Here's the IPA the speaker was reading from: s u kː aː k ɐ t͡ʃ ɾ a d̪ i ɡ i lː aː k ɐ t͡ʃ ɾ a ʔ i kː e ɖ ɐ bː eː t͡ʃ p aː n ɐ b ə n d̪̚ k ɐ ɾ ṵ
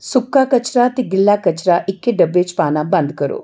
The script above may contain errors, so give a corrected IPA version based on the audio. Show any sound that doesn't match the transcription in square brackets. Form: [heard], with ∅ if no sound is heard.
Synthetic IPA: s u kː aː k ɐ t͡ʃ ɾ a [t̪] i ɡ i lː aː k ɐ t͡ʃ ɾ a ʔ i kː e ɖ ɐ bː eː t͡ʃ p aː n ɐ b [ɐ] n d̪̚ k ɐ ɾ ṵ

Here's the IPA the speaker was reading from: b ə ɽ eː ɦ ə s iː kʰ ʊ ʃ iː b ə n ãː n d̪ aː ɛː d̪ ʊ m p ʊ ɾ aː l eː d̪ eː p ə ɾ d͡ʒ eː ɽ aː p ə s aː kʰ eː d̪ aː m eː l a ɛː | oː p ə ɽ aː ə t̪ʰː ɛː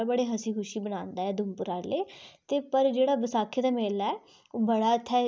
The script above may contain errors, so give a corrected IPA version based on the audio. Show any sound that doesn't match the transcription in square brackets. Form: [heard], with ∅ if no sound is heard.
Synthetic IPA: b ə ɽ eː ɦ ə s iː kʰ ʊ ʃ iː b ə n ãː n d̪ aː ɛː d̪ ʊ m p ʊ ɾ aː l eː [t̪] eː p ə ɾ d͡ʒ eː ɽ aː [b] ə s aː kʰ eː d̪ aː m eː l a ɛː | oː [b] ə ɽ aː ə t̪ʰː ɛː

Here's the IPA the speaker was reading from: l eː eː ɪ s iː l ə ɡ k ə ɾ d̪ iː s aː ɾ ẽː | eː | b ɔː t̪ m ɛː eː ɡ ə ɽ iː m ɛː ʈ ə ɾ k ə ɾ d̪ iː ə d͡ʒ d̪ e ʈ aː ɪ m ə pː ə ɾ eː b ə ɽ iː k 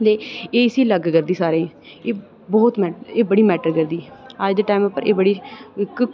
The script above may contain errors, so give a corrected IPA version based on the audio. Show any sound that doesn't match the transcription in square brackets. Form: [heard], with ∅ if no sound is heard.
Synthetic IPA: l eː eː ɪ s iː l ə ɡ k ə ɾ d̪ iː s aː ɾ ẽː | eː | b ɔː t̪ m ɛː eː [b] ə ɽ iː m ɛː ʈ ə ɾ k ə ɾ d̪ iː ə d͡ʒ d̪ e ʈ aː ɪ m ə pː ə ɾ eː b ə ɽ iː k

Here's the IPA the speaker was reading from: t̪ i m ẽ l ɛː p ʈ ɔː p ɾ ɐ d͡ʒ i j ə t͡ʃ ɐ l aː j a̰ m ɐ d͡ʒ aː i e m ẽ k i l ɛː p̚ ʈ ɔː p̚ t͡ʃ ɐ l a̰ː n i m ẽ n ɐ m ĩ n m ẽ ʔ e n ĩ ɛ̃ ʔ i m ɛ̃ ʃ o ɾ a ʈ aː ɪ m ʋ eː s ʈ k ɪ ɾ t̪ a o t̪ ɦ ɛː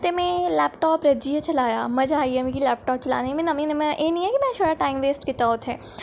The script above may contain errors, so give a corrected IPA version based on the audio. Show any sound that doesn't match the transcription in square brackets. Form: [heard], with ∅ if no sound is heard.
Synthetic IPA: t̪ [e] m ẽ l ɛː p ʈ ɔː p ɾ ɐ d͡ʒ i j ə t͡ʃ ɐ l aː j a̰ m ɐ d͡ʒ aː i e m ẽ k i l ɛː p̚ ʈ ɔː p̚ t͡ʃ ɐ l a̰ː n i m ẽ n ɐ m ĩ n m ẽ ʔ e n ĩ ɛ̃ [k] i m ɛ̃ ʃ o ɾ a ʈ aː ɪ m ʋ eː s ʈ k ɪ [∅] t̪ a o t̪ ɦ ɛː

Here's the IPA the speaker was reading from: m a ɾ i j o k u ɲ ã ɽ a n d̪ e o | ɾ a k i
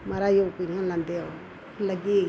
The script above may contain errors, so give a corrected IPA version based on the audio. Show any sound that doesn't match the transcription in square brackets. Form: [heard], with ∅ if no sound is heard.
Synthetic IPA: m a ɾ [a] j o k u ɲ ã [l] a n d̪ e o | [l] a [ɡ] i

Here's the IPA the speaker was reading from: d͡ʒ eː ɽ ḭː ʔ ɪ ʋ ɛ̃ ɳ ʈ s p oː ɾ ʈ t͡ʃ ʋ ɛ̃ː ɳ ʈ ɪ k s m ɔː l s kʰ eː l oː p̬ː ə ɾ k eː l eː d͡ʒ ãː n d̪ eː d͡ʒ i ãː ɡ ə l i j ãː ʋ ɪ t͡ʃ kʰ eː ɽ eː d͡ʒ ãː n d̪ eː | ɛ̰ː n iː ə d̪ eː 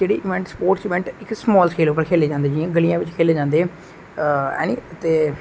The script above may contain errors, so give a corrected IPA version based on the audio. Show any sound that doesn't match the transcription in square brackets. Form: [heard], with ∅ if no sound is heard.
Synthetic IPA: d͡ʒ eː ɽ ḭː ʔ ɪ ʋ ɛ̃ ɳ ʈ s p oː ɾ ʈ t͡ʃ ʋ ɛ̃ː ɳ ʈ ɪ k s m ɔː l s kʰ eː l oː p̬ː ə ɾ [kʰ] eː l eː d͡ʒ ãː n d̪ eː d͡ʒ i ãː ɡ ə l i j ãː ʋ ɪ t͡ʃ kʰ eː [l] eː d͡ʒ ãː n d̪ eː | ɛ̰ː n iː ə [t̪] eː

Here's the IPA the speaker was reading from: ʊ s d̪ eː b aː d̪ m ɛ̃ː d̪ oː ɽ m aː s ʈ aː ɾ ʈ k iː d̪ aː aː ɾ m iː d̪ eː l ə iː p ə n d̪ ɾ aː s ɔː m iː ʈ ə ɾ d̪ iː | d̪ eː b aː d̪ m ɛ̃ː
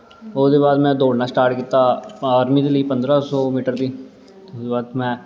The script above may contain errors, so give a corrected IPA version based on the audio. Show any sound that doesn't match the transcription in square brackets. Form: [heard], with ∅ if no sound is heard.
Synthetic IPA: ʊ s d̪ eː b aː d̪ m ɛ̃ː d̪ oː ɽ [n] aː s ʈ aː ɾ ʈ k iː [t̪] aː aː ɾ m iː d̪ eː l ə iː p ə n d̪ ɾ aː s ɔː m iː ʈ ə ɾ d̪ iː | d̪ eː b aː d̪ m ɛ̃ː

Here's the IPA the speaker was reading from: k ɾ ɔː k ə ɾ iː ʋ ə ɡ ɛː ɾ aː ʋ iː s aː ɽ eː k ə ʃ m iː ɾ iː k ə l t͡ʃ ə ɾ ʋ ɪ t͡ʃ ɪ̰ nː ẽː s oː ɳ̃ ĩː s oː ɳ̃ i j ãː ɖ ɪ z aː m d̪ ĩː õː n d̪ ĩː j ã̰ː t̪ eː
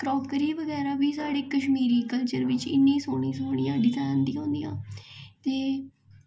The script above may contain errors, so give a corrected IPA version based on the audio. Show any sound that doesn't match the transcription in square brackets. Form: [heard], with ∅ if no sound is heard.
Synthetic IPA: k ɾ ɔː k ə ɾ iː ʋ ə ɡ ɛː ɾ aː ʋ iː s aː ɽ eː k ə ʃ m iː ɾ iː k ə l t͡ʃ ə ɾ ʋ ɪ t͡ʃ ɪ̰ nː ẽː s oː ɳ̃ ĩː s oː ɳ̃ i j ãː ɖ ɪ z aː [n] d̪ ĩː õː n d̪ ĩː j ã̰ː t̪ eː

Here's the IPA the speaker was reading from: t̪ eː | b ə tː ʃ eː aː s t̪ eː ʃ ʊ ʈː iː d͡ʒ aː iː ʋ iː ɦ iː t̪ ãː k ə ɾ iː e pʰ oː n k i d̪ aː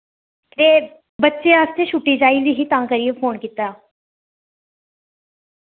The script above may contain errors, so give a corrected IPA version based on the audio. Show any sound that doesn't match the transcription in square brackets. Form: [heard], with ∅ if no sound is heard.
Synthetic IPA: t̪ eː | b ə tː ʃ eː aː s t̪ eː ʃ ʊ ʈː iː d͡ʒ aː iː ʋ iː ɦ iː t̪ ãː k ə ɾ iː e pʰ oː n k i [t̪] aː

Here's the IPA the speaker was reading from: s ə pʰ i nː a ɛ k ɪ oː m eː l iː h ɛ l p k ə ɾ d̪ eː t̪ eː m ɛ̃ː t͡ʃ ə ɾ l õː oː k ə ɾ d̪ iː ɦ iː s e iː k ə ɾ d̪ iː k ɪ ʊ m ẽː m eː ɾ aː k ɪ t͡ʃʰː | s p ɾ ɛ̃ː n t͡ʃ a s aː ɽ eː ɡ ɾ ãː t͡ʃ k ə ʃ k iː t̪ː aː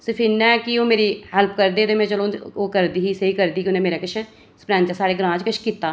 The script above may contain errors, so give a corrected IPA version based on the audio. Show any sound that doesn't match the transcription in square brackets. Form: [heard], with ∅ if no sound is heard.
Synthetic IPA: s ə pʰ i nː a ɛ k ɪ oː m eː [ɾ] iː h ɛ l p k ə ɾ d̪ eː t̪ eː m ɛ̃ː t͡ʃ ə [∅] l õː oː k ə ɾ d̪ iː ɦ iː s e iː k ə ɾ d̪ iː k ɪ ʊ [n] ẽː m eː ɾ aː k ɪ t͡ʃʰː | s p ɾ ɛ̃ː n t͡ʃ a s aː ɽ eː ɡ ɾ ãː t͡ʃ k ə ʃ k iː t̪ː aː

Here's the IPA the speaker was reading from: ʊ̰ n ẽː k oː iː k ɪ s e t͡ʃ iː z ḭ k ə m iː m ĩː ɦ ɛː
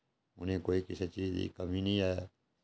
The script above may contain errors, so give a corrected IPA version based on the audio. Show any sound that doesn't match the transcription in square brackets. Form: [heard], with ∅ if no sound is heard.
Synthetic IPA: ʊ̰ n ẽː k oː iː k ɪ s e t͡ʃ iː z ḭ k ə m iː [n] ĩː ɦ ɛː

